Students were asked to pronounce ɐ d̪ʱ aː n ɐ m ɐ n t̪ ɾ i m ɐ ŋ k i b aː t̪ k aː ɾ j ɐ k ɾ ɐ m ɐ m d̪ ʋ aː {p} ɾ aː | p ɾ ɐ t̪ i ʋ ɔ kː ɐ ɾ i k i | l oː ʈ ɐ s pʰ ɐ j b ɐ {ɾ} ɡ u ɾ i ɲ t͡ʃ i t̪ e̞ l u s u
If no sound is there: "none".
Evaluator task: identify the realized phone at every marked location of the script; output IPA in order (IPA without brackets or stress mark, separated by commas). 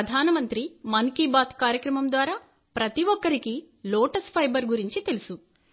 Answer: none, ɾ